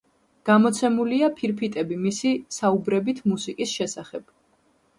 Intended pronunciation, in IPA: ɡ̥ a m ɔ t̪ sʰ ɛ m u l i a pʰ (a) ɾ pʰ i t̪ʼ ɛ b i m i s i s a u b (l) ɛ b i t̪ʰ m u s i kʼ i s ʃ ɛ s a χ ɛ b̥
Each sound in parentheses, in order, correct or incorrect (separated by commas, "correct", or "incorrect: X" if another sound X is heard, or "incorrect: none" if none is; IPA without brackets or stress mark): incorrect: i, incorrect: ɾ